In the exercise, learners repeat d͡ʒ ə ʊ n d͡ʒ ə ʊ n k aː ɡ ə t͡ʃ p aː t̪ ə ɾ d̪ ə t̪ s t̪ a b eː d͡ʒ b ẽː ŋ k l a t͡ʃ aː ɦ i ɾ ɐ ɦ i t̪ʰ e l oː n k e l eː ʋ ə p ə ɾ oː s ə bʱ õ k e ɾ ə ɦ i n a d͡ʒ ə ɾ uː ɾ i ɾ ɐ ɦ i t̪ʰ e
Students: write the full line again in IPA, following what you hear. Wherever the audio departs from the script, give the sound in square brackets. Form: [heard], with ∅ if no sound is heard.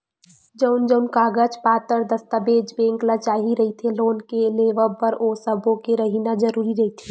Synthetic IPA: d͡ʒ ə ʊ n d͡ʒ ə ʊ n k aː ɡ ə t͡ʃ p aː t̪ ə ɾ d̪ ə [∅] s t̪ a b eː d͡ʒ b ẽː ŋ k l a t͡ʃ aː ɦ i ɾ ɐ ɦ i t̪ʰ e l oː n k e l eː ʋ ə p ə ɾ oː s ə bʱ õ k e ɾ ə ɦ i n a d͡ʒ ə ɾ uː ɾ i ɾ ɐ ɦ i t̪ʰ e